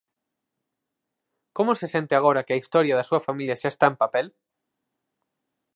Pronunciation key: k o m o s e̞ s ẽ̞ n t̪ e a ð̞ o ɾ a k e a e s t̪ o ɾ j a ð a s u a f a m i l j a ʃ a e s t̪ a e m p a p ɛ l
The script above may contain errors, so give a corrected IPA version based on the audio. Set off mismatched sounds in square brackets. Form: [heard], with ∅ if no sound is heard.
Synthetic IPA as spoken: k o m o s e̞ s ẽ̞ n t̪ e a [ɣ̞] o ɾ a k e a [i] s t̪ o ɾ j a ð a s u a f a m i l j a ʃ a e s t̪ a e m p a p [e] l

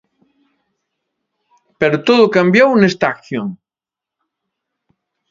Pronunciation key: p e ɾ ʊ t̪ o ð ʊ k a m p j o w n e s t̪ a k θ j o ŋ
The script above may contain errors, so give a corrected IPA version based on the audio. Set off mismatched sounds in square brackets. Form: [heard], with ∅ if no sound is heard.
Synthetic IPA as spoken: p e ɾ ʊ t̪ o ð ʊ k a m [b] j o w n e s t̪ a k θ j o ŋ

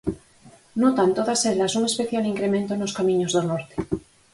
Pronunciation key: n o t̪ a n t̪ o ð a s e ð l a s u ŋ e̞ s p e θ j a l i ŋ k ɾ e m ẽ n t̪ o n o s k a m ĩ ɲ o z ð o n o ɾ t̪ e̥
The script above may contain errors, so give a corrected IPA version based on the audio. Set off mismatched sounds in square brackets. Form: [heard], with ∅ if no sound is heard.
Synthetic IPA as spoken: n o t̪ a n t̪ o ð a s e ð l a s u ŋ e̞ s p e θ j a l i ŋ k ɾ e m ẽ n t̪ o n o s k a m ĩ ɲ o z ð o n o ɾ t̪ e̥

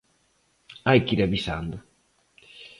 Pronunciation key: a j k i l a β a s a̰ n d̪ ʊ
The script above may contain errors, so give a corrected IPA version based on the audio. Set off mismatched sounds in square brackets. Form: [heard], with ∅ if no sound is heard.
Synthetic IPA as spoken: a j k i [ɾ] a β [i] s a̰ n d̪ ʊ

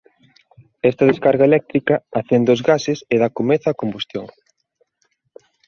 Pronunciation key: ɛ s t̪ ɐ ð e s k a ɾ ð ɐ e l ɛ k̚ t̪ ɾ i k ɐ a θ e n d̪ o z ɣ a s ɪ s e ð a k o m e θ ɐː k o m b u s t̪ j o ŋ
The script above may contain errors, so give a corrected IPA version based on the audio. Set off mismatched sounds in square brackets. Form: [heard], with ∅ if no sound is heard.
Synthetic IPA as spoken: ɛ s t̪ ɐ ð e s k a ɾ [ɣ] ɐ e l ɛ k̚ t̪ ɾ i k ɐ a θ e n d̪ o z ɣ a s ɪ s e ð a k o m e θ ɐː k o m b u s t̪ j o ŋ

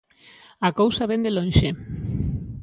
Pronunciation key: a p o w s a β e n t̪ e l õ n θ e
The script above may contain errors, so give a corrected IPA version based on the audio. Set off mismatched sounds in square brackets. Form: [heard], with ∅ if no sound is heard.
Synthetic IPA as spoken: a [k] o w s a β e n [d̪] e l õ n [ʃ] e

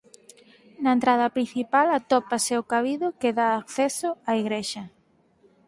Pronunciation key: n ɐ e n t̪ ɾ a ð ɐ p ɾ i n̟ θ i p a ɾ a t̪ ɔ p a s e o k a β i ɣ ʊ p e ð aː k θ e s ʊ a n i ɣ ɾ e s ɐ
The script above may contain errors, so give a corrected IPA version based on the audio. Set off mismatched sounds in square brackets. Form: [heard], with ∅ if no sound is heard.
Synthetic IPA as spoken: n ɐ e n t̪ ɾ a ð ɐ p ɾ i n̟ θ i p a [l] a t̪ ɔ p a s e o k a β i [ð] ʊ [k] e ð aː k θ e s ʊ a [∅] i ɣ ɾ e [ʃ] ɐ

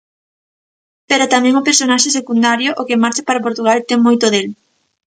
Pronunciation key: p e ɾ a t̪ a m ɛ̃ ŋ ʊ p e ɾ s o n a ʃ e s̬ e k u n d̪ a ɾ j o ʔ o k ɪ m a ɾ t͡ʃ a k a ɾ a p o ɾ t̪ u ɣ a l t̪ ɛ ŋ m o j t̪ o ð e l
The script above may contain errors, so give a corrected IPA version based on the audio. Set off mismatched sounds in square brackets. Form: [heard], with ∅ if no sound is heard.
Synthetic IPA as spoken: p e ɾ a t̪ a m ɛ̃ ŋ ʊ p e ɾ s o n a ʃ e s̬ e k u n d̪ a ɾ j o ʔ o k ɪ m a ɾ t͡ʃ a [p] a ɾ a p o ɾ t̪ u ɣ a l t̪ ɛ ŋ m o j t̪ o ð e l

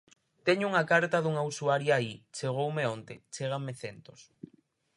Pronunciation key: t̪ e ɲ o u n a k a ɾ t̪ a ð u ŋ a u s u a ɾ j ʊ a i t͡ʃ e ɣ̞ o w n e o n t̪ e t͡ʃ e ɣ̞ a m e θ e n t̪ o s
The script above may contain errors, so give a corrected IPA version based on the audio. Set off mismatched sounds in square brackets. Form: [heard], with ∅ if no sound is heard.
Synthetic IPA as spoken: t̪ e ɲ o u [ŋ] a k a ɾ t̪ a ð u ŋ a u s u a ɾ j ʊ a i t͡ʃ e ɣ̞ o w [m] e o n t̪ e t͡ʃ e ɣ̞ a m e θ e n t̪ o s

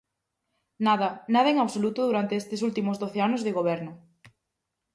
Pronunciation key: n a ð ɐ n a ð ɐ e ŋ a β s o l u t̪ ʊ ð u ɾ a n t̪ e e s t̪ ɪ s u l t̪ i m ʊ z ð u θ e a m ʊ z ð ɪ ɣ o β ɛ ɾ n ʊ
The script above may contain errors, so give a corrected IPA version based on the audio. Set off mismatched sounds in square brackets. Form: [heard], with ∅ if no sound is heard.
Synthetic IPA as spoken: n a ð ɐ n a ð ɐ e ŋ a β s o l u t̪ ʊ ð u ɾ a n t̪ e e s t̪ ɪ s u l t̪ i m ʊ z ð [o] θ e a [n] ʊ z ð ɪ ɣ o β ɛ ɾ n ʊ

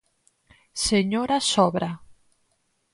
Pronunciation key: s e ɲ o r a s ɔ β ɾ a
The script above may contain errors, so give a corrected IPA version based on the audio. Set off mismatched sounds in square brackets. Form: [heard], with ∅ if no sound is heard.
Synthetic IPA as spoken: s e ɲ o [ɾ] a s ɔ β ɾ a

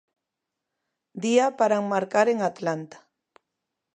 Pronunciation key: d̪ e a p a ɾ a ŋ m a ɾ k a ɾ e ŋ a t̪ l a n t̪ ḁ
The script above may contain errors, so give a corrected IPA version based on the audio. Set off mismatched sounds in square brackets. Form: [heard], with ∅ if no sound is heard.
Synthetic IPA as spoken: d̪ [i] a p a ɾ a ŋ m a ɾ k a ɾ e ŋ a t̪ l a n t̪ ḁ

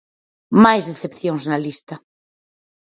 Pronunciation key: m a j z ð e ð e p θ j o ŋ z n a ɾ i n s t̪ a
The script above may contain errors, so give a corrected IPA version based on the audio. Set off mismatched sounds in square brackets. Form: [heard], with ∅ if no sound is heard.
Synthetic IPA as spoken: m a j z ð e [θ] e p θ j o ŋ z n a [l] i [∅] s t̪ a

